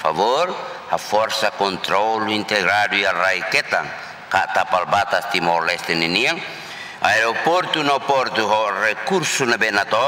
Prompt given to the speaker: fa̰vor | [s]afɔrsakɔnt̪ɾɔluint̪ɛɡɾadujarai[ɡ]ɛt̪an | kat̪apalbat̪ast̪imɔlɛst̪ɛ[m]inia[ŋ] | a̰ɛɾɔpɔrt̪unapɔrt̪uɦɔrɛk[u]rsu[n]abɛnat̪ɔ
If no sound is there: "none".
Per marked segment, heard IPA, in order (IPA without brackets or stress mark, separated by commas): h, k, n, ŋ, u, n